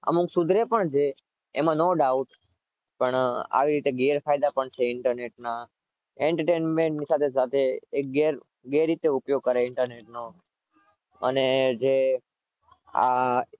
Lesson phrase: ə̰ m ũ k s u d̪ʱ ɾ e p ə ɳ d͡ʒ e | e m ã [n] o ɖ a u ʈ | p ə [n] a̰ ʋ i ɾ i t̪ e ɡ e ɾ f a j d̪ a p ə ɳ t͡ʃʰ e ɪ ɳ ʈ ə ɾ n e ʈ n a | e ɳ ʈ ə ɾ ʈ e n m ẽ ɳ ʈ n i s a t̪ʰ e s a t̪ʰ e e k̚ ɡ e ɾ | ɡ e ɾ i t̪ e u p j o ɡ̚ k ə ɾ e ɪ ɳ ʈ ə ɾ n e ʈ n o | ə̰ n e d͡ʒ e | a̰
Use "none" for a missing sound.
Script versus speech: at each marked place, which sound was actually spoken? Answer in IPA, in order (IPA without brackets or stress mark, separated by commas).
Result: n, ɳ